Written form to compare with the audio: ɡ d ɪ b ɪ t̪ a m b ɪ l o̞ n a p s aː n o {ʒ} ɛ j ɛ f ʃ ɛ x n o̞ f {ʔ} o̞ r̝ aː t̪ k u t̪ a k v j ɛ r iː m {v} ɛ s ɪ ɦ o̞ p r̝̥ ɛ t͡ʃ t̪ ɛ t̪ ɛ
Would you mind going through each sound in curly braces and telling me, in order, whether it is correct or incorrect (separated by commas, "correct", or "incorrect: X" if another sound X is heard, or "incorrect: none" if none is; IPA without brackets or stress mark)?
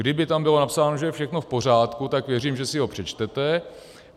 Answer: correct, incorrect: p, incorrect: ʒ